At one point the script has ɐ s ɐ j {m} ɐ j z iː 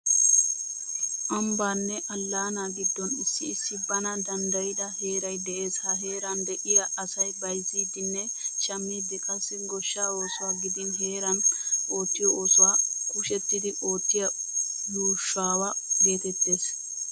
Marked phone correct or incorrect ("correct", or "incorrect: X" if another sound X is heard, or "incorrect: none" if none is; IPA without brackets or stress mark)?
incorrect: b